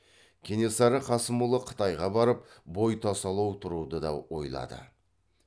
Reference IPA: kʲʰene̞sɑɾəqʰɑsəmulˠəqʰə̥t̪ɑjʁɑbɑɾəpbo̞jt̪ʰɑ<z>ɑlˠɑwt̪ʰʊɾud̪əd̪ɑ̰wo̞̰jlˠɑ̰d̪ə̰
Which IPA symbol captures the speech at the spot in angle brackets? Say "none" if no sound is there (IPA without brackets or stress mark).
s